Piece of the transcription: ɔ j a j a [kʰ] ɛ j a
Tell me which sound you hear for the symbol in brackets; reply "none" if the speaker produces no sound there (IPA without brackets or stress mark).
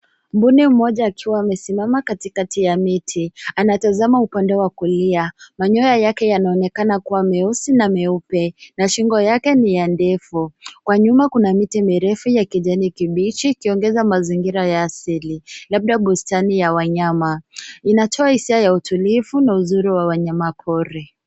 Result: k